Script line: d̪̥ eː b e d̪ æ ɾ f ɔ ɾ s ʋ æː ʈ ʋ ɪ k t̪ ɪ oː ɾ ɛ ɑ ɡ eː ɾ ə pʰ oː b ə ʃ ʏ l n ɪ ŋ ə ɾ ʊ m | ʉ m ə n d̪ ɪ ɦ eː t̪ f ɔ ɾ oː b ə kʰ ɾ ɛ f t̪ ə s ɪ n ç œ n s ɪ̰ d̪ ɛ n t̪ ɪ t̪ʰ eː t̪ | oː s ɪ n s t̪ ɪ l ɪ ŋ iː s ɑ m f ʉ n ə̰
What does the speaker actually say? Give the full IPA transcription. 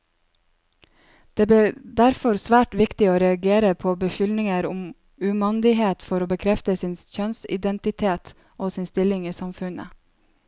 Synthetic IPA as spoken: d̪̥ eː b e d̪ æ ɾ f ɔ ɾ s ʋ æː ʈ ʋ ɪ k t̪ ɪ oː ɾ ɛ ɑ ɡ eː ɾ ə pʰ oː b ə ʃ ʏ l n ɪ ŋ ə ɾ ʊ m | ʉ m ɑ n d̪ ɪ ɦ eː t̪ f ɔ ɾ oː b ə kʰ ɾ ɛ f t̪ ə s ɪ n ç œ n s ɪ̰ d̪ ɛ n t̪ ɪ t̪ʰ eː t̪ | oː s ɪ n s t̪ ɪ l ɪ ŋ iː s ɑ m f ʉ n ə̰